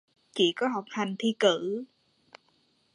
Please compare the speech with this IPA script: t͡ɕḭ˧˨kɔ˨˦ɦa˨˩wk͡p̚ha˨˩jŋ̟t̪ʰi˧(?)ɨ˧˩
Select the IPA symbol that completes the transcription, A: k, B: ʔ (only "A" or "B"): A